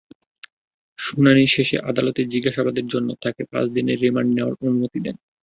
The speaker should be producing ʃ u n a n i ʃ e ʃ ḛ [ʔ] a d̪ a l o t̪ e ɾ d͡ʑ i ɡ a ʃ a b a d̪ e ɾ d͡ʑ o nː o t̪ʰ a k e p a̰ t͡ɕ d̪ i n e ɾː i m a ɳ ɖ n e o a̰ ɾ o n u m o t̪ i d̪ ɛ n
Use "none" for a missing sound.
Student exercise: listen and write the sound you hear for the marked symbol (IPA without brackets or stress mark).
ʔ